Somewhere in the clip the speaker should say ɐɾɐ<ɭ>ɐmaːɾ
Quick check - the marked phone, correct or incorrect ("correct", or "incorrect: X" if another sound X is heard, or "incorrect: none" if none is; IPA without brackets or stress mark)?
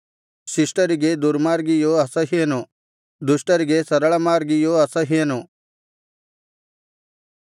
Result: correct